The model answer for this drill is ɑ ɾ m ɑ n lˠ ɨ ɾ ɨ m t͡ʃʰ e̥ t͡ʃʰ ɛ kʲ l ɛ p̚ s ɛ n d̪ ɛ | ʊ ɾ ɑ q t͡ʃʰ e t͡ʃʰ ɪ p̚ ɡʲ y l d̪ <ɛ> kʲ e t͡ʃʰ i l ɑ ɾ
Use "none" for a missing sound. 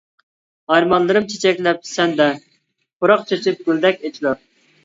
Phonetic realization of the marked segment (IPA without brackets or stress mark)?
ɛ